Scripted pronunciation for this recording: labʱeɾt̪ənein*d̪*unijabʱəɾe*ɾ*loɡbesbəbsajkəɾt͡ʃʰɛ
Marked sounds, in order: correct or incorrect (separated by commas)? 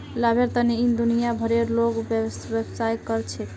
correct, correct